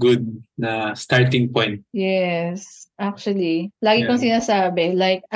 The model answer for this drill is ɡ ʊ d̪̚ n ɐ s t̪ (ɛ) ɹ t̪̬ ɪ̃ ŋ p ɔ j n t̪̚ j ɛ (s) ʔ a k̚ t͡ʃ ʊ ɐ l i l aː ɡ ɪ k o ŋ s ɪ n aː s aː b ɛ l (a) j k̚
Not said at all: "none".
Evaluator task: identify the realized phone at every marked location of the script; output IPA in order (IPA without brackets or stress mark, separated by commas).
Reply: a, s, a